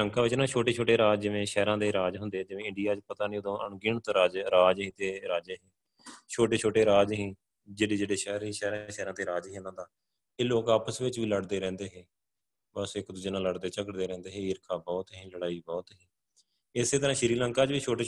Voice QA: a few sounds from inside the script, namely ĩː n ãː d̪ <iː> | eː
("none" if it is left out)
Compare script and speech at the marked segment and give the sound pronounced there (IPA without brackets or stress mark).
aː